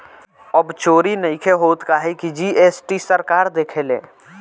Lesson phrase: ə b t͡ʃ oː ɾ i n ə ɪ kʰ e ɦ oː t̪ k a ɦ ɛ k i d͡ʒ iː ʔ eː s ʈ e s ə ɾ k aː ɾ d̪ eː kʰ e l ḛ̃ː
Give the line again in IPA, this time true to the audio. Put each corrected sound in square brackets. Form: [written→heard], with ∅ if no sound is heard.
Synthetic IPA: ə b t͡ʃ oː ɾ i n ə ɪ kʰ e ɦ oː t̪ k a ɦ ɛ k i d͡ʒ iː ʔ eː s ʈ [e→i] s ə ɾ k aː ɾ d̪ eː kʰ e l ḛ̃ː